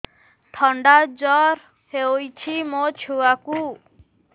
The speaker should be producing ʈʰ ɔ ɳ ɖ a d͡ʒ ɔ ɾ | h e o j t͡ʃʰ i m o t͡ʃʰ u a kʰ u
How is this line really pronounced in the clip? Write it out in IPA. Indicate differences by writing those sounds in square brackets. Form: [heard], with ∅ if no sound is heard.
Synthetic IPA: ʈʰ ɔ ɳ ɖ a d͡ʒ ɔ ɾ | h e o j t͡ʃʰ i m o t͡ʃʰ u a [k] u